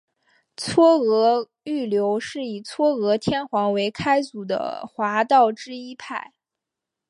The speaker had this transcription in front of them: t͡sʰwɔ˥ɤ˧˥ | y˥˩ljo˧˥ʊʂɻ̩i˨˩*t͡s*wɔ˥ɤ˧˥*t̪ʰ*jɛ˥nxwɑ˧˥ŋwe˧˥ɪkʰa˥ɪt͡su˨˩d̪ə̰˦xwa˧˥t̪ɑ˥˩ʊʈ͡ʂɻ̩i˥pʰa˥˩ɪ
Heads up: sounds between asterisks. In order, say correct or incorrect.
incorrect: t͡sʰ, correct

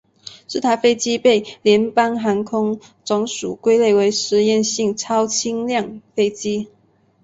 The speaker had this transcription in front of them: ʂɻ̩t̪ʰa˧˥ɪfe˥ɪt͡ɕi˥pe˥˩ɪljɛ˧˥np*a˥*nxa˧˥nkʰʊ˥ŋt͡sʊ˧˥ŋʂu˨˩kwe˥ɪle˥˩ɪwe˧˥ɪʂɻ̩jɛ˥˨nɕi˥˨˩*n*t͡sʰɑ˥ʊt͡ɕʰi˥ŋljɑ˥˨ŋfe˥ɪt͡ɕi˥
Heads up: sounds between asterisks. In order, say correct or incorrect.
correct, incorrect: ŋ

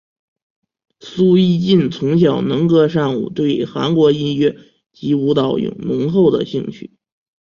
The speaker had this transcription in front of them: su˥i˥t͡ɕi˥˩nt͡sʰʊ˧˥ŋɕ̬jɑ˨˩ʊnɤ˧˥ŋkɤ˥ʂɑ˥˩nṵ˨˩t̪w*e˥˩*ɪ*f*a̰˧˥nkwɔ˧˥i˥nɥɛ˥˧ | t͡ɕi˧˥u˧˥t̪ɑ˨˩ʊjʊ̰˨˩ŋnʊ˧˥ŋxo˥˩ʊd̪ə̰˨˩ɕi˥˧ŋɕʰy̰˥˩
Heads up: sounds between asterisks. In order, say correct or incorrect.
correct, incorrect: x

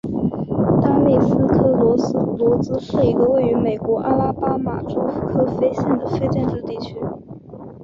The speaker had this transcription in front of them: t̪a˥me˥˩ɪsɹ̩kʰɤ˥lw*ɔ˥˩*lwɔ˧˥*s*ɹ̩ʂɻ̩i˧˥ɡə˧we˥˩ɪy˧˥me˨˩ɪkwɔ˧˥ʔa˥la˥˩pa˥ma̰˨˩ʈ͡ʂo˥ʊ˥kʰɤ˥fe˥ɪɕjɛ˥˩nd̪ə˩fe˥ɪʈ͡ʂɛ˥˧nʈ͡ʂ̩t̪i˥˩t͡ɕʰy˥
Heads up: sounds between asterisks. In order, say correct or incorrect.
incorrect: ɔ˧˥, incorrect: t͡s

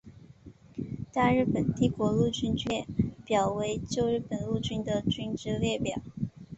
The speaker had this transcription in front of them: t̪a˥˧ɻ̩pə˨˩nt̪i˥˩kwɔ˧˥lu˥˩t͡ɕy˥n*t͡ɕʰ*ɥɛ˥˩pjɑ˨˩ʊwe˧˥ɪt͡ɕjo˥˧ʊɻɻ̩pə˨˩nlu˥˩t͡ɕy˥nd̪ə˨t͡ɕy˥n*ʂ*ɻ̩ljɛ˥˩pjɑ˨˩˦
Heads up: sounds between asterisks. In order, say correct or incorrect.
incorrect: t͡ɕ, incorrect: ʈ͡ʂ

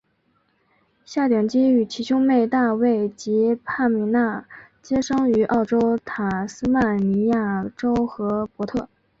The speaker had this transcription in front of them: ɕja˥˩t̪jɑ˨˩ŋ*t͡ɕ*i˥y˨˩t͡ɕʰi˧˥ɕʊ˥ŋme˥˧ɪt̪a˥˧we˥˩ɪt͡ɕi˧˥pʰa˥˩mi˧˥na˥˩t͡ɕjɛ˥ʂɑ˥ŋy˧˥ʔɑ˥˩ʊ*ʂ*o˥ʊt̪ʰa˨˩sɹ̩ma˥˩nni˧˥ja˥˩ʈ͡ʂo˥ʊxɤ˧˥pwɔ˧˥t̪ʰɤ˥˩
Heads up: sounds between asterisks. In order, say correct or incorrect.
correct, incorrect: ʈ͡ʂ

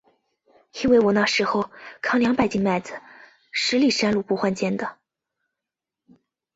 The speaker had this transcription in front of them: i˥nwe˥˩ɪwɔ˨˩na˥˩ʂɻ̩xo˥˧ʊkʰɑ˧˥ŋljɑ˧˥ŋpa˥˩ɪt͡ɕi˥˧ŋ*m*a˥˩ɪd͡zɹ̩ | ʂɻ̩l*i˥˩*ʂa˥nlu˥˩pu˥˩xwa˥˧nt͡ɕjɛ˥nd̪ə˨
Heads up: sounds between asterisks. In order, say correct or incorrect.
correct, correct

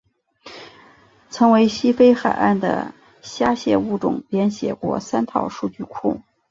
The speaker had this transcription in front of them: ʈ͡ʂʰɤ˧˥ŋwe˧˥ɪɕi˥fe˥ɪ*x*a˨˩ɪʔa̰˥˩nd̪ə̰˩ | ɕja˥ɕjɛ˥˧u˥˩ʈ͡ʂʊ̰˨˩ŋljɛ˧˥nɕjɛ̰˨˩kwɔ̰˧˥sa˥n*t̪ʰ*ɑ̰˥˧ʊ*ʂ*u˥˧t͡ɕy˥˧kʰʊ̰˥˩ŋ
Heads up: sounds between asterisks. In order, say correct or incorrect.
correct, correct, correct

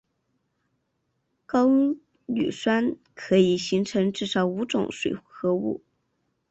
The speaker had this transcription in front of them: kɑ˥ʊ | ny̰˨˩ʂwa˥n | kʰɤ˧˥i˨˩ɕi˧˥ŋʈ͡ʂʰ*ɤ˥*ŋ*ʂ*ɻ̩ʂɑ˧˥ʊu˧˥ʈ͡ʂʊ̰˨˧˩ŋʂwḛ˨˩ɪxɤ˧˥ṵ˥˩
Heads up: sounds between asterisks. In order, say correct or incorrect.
incorrect: ɤ˧˥, incorrect: ʈ͡ʂ

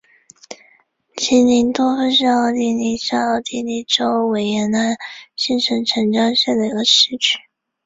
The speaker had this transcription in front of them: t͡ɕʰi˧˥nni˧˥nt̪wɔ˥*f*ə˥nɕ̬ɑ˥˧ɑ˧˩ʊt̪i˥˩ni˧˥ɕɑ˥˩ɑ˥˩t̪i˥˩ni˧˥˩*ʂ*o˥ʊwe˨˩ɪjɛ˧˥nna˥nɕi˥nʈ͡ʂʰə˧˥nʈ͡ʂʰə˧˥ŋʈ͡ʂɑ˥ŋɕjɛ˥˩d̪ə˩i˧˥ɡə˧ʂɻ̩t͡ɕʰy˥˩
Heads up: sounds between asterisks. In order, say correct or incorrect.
correct, incorrect: ʈ͡ʂ

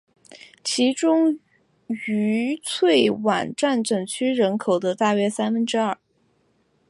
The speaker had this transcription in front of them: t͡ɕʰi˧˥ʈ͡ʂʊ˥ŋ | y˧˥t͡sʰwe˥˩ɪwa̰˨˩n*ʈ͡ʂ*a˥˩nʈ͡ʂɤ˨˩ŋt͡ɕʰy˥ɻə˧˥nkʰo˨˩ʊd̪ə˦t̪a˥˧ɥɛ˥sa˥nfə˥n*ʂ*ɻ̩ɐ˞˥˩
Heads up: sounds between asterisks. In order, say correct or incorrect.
correct, incorrect: ʈ͡ʂ

